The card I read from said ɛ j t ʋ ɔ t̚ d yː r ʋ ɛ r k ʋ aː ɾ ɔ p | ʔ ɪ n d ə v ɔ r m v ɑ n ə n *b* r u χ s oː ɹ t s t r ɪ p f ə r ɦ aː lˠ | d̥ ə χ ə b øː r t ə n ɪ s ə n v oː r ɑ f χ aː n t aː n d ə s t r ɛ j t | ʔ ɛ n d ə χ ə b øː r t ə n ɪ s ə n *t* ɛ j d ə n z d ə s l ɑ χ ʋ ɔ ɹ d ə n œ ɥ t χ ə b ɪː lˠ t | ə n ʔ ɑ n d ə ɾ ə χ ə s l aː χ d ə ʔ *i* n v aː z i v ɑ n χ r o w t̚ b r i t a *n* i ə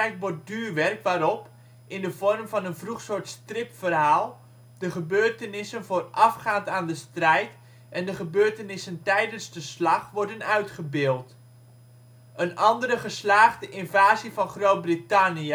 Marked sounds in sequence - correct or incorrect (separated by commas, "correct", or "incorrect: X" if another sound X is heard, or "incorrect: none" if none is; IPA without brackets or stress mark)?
incorrect: v, correct, incorrect: ɪ, correct